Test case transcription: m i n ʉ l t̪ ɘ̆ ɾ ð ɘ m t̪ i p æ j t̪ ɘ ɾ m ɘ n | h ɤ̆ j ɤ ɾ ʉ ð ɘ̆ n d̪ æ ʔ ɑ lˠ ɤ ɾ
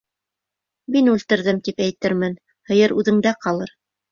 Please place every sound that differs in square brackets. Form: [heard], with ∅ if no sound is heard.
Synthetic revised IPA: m i n ʉ l t̪ ɘ̆ ɾ ð ɘ m t̪ i p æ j t̪ ɘ ɾ m ɘ n | h ɤ̆ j ɤ ɾ ʉ ð ɘ̆ [ŋ] d̪ æ [q] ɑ lˠ ɤ ɾ